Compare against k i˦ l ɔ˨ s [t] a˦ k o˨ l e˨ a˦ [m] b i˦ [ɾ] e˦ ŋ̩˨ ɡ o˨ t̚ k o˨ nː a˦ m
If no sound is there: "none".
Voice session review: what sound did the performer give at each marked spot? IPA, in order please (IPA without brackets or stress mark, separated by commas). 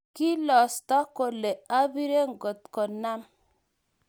t, none, ɾ